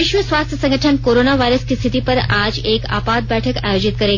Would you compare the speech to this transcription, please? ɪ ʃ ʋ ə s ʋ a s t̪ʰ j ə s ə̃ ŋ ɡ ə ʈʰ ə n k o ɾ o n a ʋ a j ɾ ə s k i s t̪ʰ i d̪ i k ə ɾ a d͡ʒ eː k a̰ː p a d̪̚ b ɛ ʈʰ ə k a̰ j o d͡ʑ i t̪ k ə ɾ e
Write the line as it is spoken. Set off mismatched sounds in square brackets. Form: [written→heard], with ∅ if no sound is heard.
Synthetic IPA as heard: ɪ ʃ ʋ ə s ʋ a s t̪ʰ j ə s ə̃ ŋ ɡ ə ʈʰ ə n k o ɾ o n a ʋ a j ɾ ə s k i s t̪ʰ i [d̪→t̪] i [k→p] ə ɾ a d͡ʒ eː k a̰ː p a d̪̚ b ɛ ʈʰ ə k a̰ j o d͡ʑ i t̪ k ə ɾ e